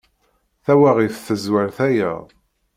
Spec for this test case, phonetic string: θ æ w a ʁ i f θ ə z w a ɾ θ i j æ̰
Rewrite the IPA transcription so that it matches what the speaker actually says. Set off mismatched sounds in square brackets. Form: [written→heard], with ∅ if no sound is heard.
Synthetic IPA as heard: θ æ w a ʁ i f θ ə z w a ɾ θ [i→æ] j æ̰